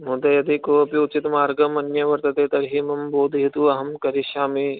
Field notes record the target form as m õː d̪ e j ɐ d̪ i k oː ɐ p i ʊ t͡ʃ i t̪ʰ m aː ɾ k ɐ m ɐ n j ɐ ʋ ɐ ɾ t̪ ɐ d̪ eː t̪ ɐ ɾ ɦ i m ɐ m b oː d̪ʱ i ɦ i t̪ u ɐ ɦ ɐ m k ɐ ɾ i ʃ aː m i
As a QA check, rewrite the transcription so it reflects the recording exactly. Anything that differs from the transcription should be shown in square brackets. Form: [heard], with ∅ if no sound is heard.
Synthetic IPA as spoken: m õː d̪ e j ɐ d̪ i k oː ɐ p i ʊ t͡ʃ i [t̪] m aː ɾ [ɡ] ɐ m ɐ n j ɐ ʋ ɐ ɾ t̪ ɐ [t̪] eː t̪ ɐ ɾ ɦ i m ɐ m b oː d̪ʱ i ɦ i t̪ u ɐ ɦ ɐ m k ɐ ɾ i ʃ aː m i

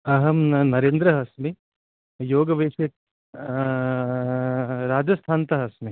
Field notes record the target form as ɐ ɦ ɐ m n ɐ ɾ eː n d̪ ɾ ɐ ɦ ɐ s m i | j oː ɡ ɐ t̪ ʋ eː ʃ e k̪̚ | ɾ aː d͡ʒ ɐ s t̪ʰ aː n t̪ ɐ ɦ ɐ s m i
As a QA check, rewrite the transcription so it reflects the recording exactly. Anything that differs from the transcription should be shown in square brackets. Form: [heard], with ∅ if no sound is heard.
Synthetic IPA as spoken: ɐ ɦ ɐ m n ɐ ɾ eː n d̪ ɾ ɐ ɦ ɐ s m i | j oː ɡ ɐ [∅] ʋ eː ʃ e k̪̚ | ɾ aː d͡ʒ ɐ s t̪ʰ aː n t̪ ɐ ɦ ɐ s m i

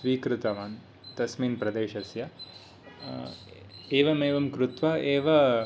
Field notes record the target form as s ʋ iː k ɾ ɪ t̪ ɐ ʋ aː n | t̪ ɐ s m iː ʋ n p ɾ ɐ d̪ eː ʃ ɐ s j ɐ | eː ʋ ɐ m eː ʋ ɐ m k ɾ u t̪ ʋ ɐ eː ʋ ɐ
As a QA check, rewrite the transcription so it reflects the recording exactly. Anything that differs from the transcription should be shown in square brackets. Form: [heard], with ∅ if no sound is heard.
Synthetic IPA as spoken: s ʋ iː k ɾ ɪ t̪ ɐ ʋ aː n | t̪ ɐ s m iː [∅] n p ɾ ɐ d̪ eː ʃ ɐ s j ɐ | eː ʋ ɐ m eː ʋ ɐ m k ɾ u t̪ ʋ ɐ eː ʋ ɐ

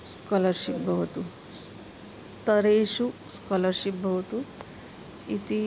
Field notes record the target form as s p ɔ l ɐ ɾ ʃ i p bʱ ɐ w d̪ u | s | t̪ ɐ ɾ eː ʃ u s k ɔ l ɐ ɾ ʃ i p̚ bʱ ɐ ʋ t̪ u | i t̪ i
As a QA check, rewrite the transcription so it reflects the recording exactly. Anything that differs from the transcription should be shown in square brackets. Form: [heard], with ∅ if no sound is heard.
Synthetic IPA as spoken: s [k] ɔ l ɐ ɾ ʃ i p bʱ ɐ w [t̪] u | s | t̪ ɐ ɾ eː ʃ u s k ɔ l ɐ ɾ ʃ i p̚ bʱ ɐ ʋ t̪ u | i t̪ i

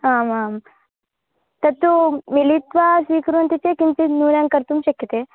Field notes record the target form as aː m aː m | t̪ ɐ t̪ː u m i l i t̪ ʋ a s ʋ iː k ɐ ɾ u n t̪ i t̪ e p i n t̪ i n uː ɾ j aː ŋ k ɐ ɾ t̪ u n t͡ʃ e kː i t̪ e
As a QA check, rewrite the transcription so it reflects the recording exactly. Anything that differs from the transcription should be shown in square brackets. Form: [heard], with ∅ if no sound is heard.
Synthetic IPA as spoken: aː m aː m | t̪ ɐ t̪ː u m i l i t̪ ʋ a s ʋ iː k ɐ ɾ u n t̪ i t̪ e [k] i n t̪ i n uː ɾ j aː ŋ k ɐ ɾ t̪ u [m] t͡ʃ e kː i t̪ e

